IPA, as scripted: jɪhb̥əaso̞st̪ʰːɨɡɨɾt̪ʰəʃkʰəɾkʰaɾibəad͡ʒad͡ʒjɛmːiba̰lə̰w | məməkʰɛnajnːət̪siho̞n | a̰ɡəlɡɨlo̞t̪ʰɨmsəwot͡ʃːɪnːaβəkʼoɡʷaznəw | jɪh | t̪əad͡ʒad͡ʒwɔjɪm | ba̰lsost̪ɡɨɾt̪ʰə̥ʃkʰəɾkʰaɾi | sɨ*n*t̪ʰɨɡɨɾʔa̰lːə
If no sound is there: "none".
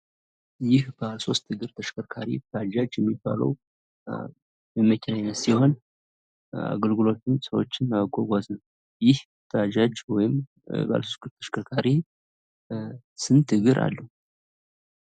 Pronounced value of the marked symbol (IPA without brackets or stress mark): n